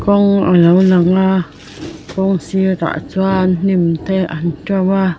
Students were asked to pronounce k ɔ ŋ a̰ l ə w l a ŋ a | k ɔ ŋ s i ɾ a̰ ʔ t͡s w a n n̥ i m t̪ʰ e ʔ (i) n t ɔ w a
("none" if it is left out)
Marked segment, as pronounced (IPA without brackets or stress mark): a